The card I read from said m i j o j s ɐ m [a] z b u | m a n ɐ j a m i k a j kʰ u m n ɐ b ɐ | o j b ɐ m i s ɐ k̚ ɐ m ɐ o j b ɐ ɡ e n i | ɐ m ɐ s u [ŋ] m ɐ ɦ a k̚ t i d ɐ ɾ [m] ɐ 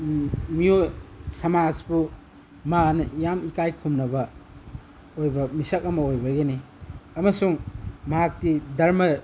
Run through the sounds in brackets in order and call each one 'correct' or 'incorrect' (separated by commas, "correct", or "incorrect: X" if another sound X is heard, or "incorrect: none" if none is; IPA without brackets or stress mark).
correct, correct, correct